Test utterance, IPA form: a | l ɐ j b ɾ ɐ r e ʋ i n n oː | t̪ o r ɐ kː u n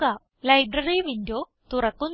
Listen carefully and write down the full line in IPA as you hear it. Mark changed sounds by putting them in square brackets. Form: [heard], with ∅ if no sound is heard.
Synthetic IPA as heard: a | l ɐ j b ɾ ɐ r [i] ʋ i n [d] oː | t̪ [u] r ɐ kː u n